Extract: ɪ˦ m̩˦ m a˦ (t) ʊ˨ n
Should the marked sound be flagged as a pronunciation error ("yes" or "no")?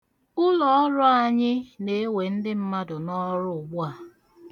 yes